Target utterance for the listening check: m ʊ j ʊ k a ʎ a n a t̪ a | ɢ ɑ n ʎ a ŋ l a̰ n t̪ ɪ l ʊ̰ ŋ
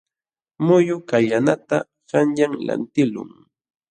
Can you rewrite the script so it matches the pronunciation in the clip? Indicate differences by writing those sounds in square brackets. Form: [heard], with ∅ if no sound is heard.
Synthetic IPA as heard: m ʊ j ʊ k a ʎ a n a t̪ a | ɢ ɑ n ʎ a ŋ l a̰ n t̪ ɪ l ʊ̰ ŋ